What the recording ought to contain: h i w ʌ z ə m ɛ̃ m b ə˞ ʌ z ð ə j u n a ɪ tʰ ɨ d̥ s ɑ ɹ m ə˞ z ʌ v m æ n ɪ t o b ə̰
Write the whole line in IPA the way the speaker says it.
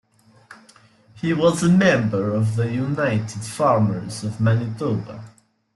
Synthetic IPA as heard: h i w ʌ z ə m ɛ̃ m b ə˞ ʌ v ð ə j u n a ɪ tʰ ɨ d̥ f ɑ ɹ m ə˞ z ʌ v m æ n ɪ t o b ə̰